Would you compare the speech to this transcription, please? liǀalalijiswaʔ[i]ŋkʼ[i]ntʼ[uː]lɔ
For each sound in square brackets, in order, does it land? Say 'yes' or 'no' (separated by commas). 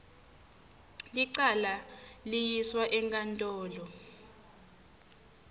no, no, no